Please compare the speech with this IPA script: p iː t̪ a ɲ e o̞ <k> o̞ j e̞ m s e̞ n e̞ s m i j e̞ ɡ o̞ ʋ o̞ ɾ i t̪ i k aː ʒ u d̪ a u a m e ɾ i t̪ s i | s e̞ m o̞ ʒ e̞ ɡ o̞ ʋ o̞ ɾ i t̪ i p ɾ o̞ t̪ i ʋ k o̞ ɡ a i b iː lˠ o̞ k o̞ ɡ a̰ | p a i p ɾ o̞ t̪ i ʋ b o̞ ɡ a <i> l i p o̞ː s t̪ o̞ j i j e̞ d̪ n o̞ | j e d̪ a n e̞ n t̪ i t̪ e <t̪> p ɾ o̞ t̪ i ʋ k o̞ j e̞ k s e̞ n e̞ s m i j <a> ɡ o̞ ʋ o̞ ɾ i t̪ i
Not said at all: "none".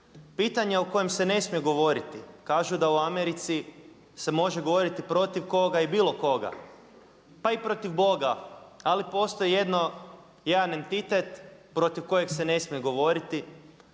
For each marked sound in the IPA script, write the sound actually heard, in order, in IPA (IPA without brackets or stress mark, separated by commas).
k, a, t̪, e